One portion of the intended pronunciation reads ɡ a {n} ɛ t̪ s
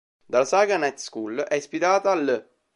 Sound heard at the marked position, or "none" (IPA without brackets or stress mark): n